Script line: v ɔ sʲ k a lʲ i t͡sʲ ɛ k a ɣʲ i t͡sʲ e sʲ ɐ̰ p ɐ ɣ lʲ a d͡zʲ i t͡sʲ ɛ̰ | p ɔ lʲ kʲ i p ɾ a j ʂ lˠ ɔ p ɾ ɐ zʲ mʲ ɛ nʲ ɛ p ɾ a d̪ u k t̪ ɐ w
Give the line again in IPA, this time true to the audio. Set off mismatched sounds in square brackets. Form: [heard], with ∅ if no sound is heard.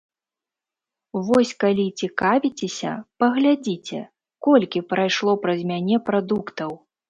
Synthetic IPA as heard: v ɔ sʲ k a lʲ i t͡sʲ [i] k a [vʲ] i t͡sʲ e sʲ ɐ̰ p ɐ ɣ lʲ a d͡zʲ i t͡sʲ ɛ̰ | [k] ɔ lʲ kʲ i p ɾ a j ʂ lˠ ɔ p ɾ ɐ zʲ mʲ [a] nʲ ɛ p ɾ a d̪ u k t̪ ɐ w